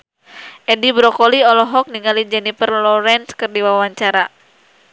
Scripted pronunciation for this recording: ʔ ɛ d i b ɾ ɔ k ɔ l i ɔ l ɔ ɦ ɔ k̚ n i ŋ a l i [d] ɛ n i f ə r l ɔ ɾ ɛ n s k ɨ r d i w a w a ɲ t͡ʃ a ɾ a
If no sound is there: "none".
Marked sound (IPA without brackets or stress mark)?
d͡ʒ